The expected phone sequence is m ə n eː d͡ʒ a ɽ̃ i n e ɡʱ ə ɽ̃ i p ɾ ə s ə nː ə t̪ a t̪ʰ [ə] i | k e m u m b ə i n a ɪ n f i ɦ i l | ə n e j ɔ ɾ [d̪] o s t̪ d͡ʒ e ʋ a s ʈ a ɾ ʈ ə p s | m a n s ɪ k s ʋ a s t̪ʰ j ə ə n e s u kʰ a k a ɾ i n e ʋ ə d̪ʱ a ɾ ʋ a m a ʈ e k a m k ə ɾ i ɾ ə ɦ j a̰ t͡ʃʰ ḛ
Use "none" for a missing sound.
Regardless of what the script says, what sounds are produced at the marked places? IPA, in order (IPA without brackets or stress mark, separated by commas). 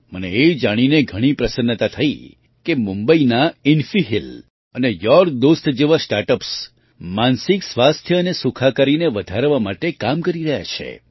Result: ə, d̪